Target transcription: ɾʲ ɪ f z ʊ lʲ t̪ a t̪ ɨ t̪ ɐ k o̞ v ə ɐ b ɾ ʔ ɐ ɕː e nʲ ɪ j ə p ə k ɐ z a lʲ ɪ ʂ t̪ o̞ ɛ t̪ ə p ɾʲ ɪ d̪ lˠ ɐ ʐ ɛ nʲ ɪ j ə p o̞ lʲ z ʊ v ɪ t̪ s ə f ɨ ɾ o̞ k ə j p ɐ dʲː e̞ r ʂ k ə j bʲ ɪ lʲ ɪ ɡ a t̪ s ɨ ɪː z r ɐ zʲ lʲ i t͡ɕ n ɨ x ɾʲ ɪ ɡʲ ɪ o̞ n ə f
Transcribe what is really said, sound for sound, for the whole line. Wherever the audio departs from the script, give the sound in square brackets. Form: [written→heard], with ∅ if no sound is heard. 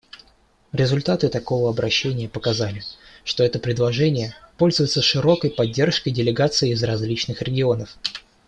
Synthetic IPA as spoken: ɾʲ ɪ [f→∅] z ʊ lʲ t̪ a t̪ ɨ t̪ ɐ k o̞ v ə ɐ b ɾ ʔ ɐ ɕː e nʲ ɪ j ə p ə k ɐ z a lʲ ɪ ʂ t̪ o̞ ɛ t̪ ə p ɾʲ ɪ d̪ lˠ ɐ ʐ ɛ nʲ ɪ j ə p o̞ lʲ z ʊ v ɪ t̪ s ə [f→ʂ] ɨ ɾ o̞ k ə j p ɐ dʲː e̞ r ʂ k ə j [bʲ→dʲ] ɪ lʲ ɪ ɡ a t̪ s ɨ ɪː z r ɐ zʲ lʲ i t͡ɕ n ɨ x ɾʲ ɪ ɡʲ ɪ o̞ n ə f